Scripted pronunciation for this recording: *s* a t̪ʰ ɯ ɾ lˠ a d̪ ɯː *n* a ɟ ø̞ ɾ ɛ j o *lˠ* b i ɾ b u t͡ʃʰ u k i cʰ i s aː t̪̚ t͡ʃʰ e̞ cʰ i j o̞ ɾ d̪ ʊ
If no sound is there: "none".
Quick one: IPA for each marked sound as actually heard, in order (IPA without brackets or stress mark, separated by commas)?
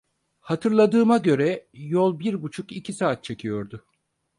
h, m, lˠ